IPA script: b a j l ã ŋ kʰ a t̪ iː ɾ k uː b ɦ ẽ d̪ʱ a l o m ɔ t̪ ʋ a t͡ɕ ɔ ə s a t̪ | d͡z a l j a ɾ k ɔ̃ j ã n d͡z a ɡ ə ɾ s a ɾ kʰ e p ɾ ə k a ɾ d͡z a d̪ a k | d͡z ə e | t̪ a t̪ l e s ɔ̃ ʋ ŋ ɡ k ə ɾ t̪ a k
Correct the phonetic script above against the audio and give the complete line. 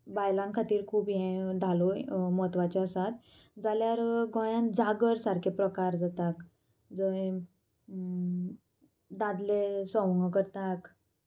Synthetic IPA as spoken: b a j l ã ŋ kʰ a t̪ iː ɾ kʰ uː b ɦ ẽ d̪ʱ a l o m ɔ t̪ ʋ a t͡ɕ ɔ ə s a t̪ | d͡z a l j a ɾ ɡ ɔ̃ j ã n d͡z a ɡ ə ɾ s a ɾ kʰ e p ɾ ə k a ɾ d͡z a t̪ a k | d͡z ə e | d̪ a d̪ l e s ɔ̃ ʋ ŋ ɡ k ə ɾ t̪ a k